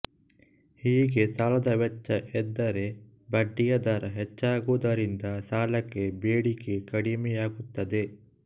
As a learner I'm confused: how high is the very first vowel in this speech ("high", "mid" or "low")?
high